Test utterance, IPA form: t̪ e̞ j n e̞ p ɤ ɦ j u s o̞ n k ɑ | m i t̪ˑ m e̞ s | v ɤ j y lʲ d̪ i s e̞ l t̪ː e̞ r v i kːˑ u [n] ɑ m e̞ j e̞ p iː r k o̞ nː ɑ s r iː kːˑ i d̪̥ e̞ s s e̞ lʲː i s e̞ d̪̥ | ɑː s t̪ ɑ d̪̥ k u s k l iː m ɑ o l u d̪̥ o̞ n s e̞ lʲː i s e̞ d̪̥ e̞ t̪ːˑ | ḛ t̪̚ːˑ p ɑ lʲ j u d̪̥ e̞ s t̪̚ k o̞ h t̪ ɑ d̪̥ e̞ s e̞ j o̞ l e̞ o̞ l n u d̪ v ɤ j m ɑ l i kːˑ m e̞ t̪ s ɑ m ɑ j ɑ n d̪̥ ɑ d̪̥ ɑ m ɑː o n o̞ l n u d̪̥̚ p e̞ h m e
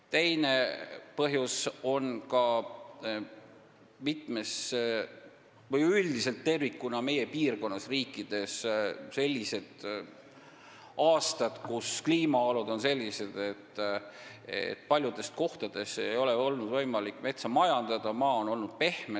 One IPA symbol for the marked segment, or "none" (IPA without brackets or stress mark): n